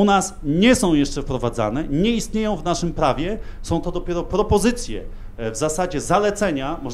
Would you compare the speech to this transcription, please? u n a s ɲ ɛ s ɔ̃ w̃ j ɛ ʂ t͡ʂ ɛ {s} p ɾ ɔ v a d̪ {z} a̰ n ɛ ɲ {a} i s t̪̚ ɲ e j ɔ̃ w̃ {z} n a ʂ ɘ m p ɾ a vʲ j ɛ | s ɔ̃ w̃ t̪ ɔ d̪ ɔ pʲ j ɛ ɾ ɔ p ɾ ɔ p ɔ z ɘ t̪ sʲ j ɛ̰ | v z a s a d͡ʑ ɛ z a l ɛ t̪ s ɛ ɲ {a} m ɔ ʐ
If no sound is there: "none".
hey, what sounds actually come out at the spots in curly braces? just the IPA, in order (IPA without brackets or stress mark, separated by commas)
f, z, ɛ, v, a